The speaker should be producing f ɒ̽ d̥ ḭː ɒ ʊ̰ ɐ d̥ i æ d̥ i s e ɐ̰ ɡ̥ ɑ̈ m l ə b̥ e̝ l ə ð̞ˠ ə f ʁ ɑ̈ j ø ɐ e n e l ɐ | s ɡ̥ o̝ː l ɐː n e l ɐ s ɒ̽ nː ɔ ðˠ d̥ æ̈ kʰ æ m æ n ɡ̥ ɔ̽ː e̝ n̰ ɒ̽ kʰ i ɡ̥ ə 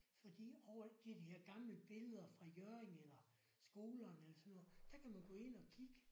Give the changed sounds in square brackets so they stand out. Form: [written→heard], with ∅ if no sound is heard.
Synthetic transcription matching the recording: f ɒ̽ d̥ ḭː ɒ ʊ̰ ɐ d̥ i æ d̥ i [s→h] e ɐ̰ ɡ̥ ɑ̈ m l ə b̥ e̝ l ə ð̞ˠ [ə→ɐ] f ʁ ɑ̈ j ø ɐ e [n→ŋ] e l ɐ | s ɡ̥ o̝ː l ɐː n e l ɐ s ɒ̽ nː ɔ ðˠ d̥ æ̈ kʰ æ m æ n ɡ̥ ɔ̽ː e̝ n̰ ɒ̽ kʰ i ɡ̥ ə